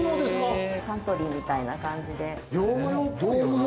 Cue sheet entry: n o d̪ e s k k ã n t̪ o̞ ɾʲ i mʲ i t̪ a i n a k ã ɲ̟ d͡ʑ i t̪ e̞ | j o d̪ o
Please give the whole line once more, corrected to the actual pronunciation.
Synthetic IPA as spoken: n o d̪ e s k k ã n t̪ o̞ ɾʲ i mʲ i t̪ a i n a k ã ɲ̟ d͡ʑ i d̪ e̞ | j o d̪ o

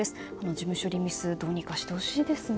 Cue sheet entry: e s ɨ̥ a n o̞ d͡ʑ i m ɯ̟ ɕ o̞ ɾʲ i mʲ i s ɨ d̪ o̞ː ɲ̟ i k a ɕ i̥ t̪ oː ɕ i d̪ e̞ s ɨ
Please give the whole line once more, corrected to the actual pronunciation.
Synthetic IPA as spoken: e s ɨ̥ a n o̞ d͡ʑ i m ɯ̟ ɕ o̞ ɾʲ i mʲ i s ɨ d̪ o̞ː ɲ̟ i k a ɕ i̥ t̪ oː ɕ i d̪ e̞ s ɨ

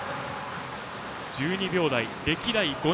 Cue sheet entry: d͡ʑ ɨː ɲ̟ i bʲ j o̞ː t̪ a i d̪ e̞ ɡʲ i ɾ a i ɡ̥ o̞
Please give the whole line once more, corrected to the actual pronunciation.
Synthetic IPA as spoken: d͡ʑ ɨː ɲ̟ i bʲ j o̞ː d̪ a i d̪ e̞ kʲ i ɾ a i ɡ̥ o̞

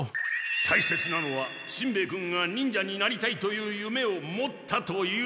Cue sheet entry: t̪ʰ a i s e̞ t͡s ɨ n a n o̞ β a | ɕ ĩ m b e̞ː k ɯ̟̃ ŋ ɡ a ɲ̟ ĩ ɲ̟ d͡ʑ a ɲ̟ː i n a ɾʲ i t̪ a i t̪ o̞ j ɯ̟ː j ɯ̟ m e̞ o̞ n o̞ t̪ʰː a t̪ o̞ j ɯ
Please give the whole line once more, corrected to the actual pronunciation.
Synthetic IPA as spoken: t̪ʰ a i s e̞ t͡s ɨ n a n o̞ β a | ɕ ĩ m b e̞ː k ɯ̟̃ ŋ ɡ a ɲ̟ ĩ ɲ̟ d͡ʑ a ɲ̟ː i n a ɾʲ i t̪ a i t̪ o̞ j ɯ̟ː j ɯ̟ m e̞ o̞ m o̞ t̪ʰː a t̪ o̞ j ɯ

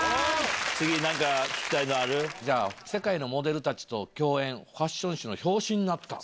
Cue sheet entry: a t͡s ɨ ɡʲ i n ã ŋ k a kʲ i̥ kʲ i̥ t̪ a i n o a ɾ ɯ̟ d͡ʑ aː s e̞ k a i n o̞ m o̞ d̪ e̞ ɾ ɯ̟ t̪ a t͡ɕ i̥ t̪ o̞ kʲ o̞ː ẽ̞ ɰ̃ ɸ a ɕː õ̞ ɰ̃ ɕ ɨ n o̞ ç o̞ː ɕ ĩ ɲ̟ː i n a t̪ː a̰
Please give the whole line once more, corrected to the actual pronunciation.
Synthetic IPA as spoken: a t͡s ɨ ɡʲ i n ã ŋ k a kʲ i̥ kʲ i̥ t̪ a i n o a ɾ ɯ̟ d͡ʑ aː s e̞ k a i n o̞ m o̞ d̪ e̞ ɾ ɯ̟ t̪ a t͡ɕ i̥ t̪ o̞ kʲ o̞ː ẽ̞ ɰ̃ ɸ a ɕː õ̞ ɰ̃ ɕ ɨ n o̞ ç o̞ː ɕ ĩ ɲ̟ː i n a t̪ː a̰

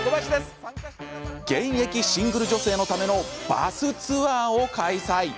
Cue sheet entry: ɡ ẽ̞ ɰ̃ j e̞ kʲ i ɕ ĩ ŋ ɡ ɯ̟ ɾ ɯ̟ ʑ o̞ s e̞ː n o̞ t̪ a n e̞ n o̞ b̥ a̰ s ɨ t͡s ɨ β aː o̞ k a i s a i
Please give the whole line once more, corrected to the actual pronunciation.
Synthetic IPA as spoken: ɡ ẽ̞ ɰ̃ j e̞ kʲ i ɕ ĩ ŋ ɡ ɯ̟ ɾ ɯ̟ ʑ o̞ s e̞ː n o̞ t̪ a m e̞ n o̞ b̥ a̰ s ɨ t͡s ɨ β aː o̞ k a i s a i

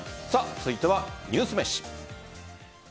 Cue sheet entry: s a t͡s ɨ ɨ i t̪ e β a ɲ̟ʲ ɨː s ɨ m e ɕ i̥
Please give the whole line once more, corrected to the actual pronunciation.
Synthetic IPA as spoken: s a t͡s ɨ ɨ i t̪ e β a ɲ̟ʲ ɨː s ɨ m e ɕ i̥

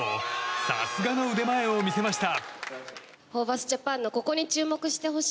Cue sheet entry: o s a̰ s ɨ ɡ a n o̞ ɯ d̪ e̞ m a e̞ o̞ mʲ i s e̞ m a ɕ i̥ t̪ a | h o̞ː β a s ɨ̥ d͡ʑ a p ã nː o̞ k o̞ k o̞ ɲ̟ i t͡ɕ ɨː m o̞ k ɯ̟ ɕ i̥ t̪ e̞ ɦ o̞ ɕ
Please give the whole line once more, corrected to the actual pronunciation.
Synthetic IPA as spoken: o s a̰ s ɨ ɡ a n o̞ ɯ d̪ e̞ m a e̞ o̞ mʲ i s e̞ m a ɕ i̥ t̪ a | h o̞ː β a s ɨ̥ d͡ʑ a p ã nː o̞ k o̞ k o̞ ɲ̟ i t͡ɕ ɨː m o̞ k ɯ̟ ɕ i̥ t̪ e̞ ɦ o̞ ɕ

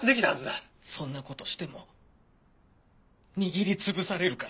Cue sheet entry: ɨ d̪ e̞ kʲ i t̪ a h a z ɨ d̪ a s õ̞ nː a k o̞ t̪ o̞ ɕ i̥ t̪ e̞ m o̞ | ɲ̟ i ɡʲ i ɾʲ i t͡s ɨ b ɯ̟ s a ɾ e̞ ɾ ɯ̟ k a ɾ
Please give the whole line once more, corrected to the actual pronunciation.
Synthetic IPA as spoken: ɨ d̪ e̞ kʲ i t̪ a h a z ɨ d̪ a s õ̞ nː a k o̞ t̪ o̞ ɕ i̥ t̪ e̞ m o̞ | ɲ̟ i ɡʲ i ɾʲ i t͡s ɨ b ɯ̟ s a ɾ e̞ ɾ ɯ̟ k a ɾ

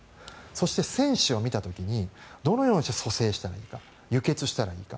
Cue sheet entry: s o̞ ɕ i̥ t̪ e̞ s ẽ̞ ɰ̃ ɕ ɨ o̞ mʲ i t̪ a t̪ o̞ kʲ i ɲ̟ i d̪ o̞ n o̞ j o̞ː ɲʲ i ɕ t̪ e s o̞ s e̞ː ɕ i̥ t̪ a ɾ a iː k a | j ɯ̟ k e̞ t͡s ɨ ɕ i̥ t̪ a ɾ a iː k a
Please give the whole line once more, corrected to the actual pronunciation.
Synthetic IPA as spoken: s o̞ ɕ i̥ t̪ e̞ s ẽ̞ ɰ̃ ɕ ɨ o̞ mʲ i t̪ a t̪ o̞ kʲ i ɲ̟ i d̪ o̞ n o̞ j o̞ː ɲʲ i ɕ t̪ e s o̞ s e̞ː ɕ i̥ t̪ a ɾ a iː k a | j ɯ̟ k e̞ t͡s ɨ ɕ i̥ t̪ a ɾ a iː k a

